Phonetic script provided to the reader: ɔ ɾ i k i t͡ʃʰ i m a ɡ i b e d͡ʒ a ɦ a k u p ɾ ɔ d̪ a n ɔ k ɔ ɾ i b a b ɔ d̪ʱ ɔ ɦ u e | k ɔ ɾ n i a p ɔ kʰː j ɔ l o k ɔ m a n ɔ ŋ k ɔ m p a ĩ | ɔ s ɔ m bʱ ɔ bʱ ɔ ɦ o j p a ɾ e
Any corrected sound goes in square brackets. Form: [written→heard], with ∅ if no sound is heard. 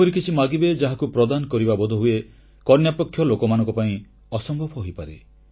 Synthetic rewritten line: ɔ ɾ i k i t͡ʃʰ i m a ɡ i b e d͡ʒ a ɦ a k u p ɾ ɔ d̪ a n ɔ k ɔ ɾ i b a b ɔ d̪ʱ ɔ ɦ u e | k ɔ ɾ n [i→j] a p ɔ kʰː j ɔ l o k ɔ m a n ɔ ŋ k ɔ [m→∅] p a ĩ | ɔ s ɔ m bʱ ɔ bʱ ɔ ɦ o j p a ɾ e